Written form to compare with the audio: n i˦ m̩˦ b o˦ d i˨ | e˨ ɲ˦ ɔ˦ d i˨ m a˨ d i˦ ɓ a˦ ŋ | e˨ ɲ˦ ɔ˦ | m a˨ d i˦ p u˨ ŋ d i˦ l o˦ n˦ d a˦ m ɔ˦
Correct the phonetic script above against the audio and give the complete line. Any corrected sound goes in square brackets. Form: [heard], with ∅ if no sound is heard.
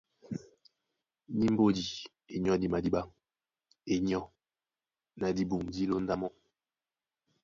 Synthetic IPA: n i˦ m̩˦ b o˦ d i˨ | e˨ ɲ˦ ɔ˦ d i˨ m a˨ d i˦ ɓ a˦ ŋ | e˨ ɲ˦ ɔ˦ | [n] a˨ d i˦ [b] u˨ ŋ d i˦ l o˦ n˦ d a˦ m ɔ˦

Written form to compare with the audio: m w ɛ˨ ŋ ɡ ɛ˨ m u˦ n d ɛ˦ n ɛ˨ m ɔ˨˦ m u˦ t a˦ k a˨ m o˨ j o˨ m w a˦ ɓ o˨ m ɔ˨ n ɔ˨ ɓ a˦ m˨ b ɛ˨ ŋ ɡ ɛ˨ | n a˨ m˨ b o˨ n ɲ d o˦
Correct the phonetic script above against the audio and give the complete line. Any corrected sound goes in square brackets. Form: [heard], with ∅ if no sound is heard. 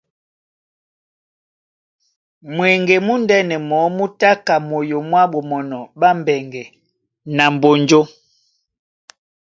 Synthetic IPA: m w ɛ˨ ŋ ɡ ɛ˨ m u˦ n d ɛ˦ n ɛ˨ m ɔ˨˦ m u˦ t a˦ k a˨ m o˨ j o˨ m w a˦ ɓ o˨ m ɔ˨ n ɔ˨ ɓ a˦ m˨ b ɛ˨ ŋ ɡ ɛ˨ | n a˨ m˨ b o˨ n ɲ [d͡ʒ] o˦

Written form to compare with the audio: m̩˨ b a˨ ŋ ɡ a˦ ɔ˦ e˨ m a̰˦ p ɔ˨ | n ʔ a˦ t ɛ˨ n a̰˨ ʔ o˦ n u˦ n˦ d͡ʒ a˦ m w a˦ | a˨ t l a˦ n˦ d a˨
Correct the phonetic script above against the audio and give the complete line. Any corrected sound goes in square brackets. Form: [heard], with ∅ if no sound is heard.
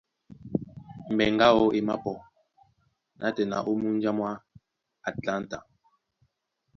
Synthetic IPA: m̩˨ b [ɛ˨] ŋ ɡ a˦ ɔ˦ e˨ m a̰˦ p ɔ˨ | n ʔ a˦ t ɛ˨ n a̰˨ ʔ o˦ [m] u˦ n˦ d͡ʒ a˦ m w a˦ | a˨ t l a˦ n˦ [t] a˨

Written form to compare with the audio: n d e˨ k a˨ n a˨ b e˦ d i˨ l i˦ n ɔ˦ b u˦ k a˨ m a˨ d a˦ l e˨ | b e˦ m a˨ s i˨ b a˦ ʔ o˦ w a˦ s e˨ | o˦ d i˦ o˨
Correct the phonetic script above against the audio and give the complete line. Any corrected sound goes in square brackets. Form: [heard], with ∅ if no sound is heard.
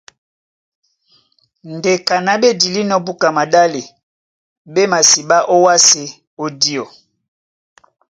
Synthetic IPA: n d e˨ k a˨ n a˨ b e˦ d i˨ l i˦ n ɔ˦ b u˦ k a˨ m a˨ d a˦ l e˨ | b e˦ m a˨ s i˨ b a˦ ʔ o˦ w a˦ s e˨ | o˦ d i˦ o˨

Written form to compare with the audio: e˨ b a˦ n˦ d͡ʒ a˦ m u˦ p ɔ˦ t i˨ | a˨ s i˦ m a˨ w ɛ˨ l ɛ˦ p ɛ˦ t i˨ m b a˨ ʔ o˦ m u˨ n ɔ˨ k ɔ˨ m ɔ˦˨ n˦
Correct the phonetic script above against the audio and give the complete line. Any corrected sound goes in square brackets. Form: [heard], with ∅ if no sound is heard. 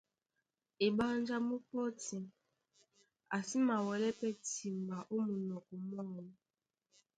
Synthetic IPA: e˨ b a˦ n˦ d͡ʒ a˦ m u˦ p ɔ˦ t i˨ | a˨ s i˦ m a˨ w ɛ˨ l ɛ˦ p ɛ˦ t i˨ m b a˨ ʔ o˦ m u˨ n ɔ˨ k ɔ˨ m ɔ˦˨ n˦

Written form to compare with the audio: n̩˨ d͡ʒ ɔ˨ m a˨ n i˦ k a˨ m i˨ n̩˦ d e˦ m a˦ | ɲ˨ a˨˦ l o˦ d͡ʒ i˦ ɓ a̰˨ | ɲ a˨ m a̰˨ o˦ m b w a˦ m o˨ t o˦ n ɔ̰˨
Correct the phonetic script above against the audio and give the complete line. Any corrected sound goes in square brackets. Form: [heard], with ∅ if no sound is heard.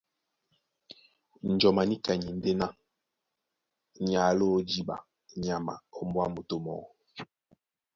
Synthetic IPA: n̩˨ d͡ʒ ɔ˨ m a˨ n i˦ k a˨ [ɲ] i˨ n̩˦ d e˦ [n] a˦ | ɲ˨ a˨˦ l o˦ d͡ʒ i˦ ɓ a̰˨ | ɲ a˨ m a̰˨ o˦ m b w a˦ m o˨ t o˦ [m] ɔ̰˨

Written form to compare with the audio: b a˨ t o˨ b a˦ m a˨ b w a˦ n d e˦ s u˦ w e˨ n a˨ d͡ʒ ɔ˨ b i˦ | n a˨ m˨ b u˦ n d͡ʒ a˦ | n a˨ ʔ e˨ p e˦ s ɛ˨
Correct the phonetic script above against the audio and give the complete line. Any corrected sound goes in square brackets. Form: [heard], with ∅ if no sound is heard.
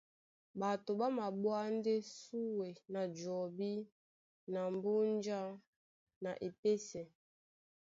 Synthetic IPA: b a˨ t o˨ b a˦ m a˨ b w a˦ n d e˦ s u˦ w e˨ n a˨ d͡ʒ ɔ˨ b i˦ | n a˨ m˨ b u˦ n d͡ʒ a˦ | n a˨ ʔ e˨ p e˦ s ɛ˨

